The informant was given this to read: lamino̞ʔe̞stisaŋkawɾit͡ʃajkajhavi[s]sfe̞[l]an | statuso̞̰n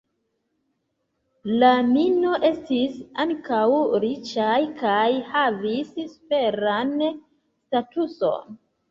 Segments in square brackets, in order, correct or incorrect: correct, incorrect: ɾ

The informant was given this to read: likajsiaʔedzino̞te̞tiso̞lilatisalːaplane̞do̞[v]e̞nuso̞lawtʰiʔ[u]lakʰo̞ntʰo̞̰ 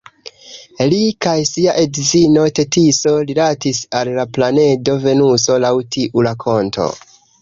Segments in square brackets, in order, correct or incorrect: correct, correct

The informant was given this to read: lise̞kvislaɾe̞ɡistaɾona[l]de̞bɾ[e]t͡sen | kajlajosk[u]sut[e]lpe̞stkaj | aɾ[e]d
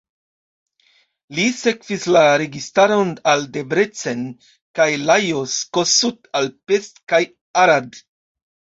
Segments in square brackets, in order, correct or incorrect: correct, correct, incorrect: o, incorrect: a, incorrect: a

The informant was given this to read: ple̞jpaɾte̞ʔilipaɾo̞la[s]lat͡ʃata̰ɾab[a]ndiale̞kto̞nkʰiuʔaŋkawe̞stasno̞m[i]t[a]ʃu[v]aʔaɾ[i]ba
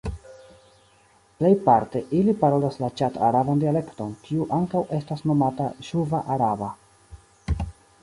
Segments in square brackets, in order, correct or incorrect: correct, correct, incorrect: a, correct, correct, incorrect: a

